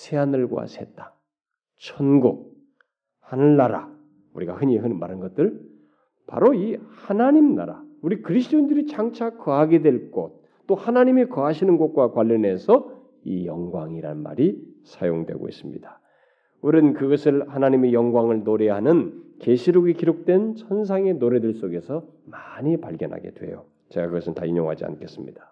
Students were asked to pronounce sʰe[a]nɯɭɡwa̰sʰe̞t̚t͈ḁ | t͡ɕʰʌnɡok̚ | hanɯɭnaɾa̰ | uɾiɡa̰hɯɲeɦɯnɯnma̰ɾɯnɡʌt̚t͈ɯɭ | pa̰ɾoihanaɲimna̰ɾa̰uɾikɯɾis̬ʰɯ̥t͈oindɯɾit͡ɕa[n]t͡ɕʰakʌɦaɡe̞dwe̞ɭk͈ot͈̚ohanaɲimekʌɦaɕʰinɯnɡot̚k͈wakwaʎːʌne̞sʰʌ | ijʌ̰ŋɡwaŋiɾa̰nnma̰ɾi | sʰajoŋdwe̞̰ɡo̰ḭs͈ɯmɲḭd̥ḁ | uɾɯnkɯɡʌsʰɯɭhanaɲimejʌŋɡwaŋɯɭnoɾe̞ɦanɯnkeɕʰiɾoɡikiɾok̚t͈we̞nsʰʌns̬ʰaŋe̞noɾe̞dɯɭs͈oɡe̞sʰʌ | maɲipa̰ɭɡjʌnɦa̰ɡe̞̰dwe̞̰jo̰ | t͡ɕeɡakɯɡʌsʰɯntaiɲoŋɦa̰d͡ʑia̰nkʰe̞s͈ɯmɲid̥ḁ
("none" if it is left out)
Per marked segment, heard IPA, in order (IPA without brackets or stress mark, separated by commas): a, ŋ